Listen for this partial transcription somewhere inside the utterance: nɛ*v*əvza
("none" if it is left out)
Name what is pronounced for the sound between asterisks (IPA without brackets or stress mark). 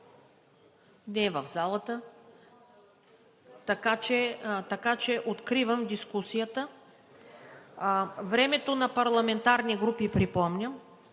v